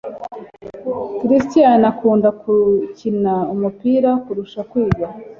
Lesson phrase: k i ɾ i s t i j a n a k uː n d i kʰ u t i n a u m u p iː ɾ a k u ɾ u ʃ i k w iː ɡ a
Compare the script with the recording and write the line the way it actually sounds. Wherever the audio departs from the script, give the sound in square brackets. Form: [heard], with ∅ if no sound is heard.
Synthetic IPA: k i ɾ i s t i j a n a k uː n d [a] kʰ u [c] i n a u m u p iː ɾ a k u ɾ u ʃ [a] k w iː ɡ a